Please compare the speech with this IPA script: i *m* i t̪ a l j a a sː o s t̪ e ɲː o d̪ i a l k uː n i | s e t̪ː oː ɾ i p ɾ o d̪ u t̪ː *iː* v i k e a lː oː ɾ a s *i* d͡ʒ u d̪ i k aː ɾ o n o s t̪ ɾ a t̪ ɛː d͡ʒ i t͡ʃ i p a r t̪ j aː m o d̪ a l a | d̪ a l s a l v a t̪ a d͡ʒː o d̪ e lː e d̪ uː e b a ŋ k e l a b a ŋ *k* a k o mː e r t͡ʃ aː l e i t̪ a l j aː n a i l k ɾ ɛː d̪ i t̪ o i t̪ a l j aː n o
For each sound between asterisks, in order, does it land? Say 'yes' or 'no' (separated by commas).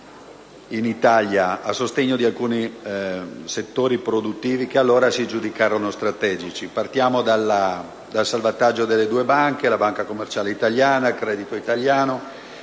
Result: no, yes, yes, yes